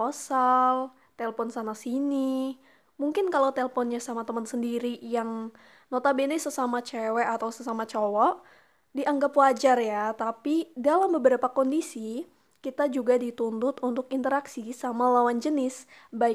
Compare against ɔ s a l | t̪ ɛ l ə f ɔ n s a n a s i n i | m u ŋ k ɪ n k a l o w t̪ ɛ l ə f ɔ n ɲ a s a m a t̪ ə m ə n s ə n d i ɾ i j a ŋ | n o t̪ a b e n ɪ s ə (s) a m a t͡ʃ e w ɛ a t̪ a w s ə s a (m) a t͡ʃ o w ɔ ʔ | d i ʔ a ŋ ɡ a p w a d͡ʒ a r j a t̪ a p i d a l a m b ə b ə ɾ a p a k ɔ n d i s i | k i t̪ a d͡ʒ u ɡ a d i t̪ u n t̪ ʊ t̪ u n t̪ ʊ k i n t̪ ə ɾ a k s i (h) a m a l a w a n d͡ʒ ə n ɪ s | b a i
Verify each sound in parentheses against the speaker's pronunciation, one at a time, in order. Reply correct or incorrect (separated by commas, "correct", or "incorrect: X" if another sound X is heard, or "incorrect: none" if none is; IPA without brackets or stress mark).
correct, correct, incorrect: s